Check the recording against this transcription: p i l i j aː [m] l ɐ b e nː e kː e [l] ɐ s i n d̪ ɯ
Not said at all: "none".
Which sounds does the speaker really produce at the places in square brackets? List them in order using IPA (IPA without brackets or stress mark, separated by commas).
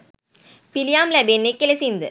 m, l